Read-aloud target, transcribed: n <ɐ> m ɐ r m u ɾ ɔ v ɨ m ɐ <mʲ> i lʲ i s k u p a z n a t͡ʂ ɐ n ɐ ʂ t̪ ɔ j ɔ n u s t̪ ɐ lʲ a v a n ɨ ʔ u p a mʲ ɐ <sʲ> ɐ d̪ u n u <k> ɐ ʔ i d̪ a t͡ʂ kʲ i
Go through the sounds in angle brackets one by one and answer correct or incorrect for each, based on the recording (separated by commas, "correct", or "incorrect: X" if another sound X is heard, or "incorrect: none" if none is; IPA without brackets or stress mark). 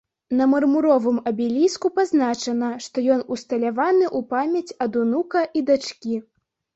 correct, incorrect: bʲ, incorrect: t͡sʲ, correct